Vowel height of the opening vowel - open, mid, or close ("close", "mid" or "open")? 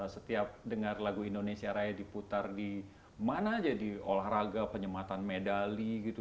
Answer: mid